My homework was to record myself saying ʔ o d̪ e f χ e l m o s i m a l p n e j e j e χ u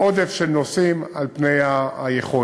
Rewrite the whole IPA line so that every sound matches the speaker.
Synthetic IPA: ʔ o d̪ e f ʃ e l n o s i m a l p n e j a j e χ o